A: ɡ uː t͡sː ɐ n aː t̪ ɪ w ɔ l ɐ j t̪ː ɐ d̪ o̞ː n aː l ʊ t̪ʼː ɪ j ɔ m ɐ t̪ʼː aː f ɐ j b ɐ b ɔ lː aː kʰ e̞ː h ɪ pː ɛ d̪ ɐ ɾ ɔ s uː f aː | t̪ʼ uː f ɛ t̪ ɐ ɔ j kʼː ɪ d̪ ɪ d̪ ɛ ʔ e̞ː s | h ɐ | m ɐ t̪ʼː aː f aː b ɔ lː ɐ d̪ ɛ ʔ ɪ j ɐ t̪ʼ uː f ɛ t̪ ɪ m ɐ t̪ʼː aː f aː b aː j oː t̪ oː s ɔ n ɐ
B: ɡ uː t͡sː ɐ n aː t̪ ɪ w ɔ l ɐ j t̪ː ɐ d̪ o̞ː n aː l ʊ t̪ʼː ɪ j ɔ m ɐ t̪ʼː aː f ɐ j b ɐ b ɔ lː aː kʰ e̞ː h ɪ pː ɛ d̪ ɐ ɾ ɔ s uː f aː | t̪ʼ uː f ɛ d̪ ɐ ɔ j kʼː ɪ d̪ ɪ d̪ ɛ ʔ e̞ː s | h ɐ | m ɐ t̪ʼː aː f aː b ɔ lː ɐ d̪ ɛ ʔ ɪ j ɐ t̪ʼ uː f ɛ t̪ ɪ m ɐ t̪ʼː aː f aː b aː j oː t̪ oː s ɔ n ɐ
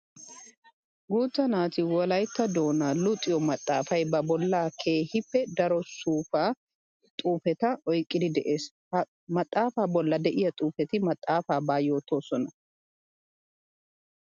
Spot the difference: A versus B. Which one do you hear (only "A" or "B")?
A